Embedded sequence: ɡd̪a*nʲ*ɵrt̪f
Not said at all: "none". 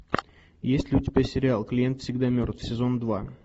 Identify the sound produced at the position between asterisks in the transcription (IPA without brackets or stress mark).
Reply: mʲ